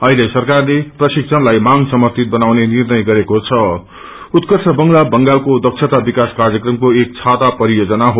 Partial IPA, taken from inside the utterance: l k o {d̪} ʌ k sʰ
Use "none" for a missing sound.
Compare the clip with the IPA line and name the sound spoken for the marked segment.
d̪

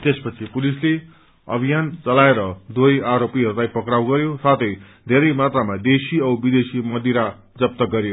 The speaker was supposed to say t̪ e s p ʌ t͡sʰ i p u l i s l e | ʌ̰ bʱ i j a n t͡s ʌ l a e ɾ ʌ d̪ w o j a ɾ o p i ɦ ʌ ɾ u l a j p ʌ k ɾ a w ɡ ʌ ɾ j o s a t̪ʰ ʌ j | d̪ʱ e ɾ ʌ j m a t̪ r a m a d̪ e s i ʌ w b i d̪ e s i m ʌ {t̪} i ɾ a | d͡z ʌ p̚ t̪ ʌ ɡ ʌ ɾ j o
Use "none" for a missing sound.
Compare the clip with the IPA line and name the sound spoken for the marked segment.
d̪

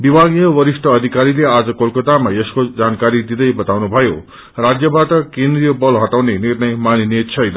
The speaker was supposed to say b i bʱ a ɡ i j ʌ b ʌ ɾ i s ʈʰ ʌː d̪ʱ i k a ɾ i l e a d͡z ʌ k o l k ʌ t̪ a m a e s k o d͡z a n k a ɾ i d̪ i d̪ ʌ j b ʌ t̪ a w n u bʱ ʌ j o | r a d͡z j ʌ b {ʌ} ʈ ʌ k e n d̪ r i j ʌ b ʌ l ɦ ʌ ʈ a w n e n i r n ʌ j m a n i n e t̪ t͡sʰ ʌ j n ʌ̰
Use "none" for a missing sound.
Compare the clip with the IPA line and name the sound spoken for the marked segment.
a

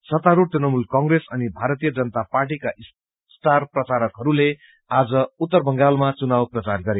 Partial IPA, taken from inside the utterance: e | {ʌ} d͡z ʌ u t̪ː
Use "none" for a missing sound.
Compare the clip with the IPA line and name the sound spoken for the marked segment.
a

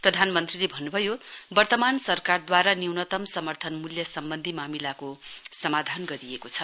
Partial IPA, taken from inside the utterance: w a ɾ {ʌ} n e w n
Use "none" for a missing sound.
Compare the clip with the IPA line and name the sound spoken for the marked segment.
a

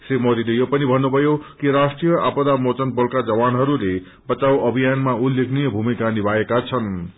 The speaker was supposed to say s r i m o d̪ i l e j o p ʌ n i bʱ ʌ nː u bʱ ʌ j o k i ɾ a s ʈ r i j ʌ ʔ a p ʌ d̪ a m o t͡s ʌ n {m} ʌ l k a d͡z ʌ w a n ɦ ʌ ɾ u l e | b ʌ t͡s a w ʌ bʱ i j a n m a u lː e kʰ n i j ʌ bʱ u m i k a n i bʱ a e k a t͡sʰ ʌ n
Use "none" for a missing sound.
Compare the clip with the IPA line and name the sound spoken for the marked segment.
b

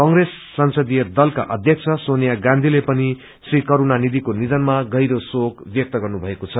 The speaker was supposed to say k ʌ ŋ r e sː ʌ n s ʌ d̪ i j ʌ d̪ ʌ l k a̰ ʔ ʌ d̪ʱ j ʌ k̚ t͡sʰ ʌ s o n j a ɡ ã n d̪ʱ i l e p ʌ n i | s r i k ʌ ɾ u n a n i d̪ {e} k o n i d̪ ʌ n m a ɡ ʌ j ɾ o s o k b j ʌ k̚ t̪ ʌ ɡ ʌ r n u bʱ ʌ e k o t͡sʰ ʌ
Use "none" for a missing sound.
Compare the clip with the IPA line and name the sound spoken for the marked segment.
i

